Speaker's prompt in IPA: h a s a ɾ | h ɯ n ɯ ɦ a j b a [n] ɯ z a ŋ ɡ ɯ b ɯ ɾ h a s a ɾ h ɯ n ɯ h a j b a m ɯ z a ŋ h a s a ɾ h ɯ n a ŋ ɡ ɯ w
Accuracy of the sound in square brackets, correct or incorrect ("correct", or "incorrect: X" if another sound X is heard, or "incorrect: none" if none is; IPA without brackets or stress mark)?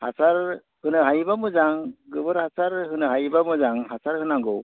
incorrect: m